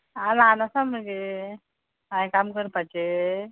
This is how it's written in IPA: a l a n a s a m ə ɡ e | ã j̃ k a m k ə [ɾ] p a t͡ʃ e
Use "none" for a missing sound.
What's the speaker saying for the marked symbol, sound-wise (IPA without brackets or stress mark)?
ɾ